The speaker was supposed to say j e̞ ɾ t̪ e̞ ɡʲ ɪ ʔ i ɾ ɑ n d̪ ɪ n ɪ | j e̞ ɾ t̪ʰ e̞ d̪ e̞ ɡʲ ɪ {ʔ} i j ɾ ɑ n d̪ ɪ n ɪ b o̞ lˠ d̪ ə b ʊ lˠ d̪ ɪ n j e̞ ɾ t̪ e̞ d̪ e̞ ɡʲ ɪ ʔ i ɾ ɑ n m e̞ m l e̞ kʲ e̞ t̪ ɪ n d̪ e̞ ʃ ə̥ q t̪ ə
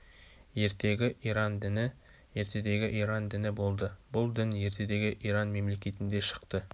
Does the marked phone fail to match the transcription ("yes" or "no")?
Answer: no